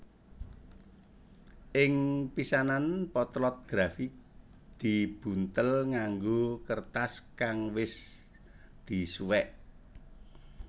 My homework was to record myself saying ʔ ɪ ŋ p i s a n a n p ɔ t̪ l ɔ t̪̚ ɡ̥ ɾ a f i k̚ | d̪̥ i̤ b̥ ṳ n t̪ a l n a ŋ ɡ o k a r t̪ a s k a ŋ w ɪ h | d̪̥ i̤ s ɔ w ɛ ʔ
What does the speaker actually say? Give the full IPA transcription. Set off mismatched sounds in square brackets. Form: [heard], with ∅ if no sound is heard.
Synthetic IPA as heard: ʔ ɪ ŋ p i s a n a n p ɔ t̪ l ɔ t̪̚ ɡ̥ ɾ a f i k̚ | d̪̥ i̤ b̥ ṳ n t̪ [ə] l [ŋ] a ŋ ɡ o k [ə] r t̪ a s k a ŋ w ɪ [s] | d̪̥ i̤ s [u] w ɛ ʔ